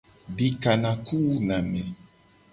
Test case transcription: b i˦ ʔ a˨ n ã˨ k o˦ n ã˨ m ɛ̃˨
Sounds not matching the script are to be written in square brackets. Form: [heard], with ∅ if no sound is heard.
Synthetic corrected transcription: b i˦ [k] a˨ n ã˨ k [u˦] n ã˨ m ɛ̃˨